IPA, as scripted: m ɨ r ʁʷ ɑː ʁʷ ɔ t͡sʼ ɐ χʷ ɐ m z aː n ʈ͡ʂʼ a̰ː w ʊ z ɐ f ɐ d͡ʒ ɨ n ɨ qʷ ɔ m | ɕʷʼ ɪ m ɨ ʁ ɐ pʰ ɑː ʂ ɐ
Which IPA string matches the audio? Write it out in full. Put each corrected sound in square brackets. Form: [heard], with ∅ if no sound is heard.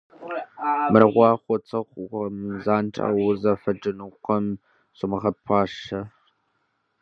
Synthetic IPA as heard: m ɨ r ʁʷ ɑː [χʷ] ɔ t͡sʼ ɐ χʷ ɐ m z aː n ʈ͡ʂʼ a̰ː w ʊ z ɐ f ɐ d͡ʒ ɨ n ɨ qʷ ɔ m | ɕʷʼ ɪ m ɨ ʁ ɐ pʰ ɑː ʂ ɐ